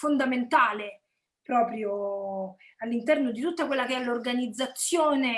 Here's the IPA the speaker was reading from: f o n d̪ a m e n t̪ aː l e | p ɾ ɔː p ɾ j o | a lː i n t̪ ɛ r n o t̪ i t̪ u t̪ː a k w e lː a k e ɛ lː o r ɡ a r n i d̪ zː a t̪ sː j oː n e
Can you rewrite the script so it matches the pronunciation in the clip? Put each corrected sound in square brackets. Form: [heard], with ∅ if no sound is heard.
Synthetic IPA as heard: f o n d̪ a m e n t̪ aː l e | p ɾ ɔː p ɾ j o | a lː i n t̪ ɛ r n o [d̪] i t̪ u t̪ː a k w e lː a k e ɛ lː o r ɡ a [∅] n i d̪ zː a t̪ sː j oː n e